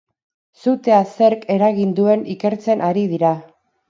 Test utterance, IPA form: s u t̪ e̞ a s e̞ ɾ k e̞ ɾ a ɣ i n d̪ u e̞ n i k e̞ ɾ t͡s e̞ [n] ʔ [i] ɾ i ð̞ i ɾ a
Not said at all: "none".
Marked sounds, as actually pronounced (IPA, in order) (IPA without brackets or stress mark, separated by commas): n, a